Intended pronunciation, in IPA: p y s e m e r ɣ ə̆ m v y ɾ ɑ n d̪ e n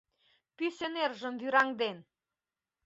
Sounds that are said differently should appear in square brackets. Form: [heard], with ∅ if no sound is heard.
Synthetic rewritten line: p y s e [n] e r [ʒ] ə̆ m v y ɾ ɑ [ŋ] d̪ e n